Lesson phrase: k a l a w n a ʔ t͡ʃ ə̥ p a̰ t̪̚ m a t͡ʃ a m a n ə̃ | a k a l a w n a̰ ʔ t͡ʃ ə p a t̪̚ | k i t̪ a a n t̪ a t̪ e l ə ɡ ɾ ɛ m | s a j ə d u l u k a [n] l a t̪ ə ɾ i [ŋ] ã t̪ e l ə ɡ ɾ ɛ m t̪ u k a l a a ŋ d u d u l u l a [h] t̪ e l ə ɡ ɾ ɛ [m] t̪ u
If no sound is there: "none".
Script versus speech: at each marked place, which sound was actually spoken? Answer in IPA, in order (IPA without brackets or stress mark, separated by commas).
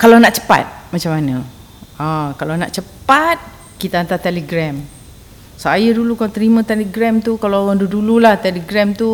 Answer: none, m, h, m